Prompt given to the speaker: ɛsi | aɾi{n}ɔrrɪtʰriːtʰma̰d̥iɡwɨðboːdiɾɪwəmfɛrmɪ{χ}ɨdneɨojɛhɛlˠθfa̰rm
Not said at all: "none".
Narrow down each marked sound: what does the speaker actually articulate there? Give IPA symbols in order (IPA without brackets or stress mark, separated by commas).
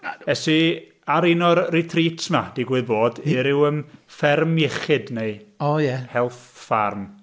n, χ